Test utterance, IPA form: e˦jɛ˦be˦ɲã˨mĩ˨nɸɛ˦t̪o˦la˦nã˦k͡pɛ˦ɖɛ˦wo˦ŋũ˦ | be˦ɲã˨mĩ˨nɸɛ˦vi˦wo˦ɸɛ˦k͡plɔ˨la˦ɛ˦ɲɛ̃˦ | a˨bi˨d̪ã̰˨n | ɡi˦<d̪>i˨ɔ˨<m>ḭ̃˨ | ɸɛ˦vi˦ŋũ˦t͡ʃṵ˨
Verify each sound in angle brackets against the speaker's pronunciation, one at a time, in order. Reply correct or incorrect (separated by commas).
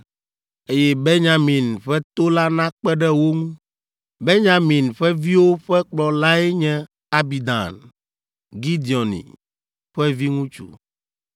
correct, incorrect